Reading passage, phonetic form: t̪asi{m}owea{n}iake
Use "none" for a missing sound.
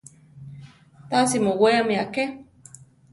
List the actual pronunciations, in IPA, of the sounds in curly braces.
m, m

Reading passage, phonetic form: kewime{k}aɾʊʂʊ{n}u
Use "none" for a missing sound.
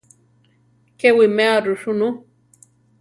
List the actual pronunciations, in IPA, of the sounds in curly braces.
none, n

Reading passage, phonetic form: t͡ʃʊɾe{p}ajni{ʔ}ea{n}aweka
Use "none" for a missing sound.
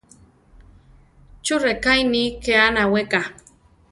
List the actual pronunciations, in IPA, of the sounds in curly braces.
k, k, n

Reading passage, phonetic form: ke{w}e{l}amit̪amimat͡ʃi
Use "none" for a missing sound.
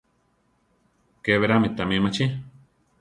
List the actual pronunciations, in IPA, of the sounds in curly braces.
β, ɾ

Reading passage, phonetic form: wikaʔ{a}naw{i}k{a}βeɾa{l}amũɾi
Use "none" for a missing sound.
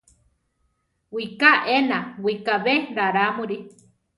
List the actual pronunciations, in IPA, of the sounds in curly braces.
e, i, a, ɾ

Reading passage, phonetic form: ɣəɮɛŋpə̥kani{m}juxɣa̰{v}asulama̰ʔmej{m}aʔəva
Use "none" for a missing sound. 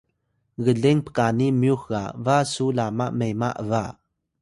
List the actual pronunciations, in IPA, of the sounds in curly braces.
m, v, m

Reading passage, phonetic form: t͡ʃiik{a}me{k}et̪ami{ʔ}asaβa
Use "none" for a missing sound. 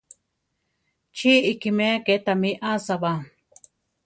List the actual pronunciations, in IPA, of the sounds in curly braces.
i, k, ʔ

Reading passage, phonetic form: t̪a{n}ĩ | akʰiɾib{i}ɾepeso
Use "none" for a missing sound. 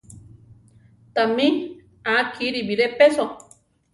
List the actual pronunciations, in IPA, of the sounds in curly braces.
m, i

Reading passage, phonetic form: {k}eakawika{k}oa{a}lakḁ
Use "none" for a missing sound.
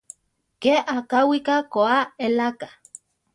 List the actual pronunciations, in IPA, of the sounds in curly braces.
k, k, e

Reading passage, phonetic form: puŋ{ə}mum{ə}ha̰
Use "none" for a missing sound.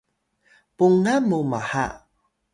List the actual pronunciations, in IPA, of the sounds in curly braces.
a, a

